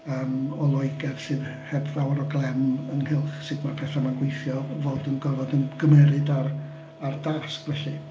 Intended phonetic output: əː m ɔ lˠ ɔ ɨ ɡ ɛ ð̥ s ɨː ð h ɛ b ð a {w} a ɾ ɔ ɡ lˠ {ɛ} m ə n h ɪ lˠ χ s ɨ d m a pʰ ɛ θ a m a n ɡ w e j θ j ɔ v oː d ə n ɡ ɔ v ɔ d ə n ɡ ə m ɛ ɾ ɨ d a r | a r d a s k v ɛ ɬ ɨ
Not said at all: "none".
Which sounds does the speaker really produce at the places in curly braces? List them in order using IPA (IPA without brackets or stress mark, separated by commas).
w, ɛ